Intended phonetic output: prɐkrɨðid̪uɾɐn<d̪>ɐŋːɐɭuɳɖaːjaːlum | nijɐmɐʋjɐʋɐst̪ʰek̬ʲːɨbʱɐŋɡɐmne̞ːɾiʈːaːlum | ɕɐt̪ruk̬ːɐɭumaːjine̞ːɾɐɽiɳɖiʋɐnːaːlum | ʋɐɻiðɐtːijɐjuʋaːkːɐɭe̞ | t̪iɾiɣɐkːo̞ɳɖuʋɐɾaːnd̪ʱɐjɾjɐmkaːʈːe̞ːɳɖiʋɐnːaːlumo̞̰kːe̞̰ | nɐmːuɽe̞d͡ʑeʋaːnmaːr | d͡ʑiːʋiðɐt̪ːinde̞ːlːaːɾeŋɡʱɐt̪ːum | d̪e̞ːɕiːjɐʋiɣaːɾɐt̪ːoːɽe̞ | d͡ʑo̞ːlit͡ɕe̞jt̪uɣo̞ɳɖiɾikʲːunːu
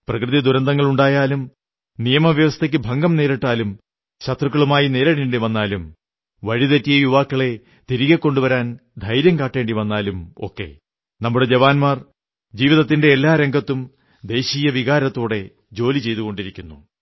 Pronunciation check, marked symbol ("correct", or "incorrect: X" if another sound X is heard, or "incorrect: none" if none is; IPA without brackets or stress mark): correct